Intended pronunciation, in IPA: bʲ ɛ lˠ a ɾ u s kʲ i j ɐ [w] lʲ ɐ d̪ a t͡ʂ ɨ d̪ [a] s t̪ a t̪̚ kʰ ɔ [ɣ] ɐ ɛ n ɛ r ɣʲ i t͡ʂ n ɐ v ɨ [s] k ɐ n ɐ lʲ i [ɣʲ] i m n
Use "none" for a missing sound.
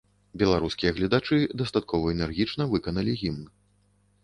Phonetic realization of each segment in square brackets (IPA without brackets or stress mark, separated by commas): ɣ, ɐ, v, none, ɣʲ